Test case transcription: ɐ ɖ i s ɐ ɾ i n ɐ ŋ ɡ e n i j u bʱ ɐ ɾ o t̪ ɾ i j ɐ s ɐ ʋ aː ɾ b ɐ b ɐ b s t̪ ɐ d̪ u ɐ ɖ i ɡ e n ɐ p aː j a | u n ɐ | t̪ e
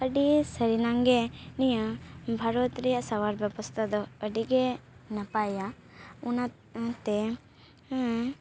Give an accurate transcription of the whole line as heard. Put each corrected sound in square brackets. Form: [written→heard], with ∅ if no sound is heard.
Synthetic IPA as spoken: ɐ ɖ i s ɐ ɾ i n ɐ ŋ ɡ e n i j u bʱ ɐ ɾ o t̪ ɾ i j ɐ s ɐ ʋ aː ɾ b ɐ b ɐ [b→∅] s t̪ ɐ d̪ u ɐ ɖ i ɡ e n ɐ p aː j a | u n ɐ | t̪ e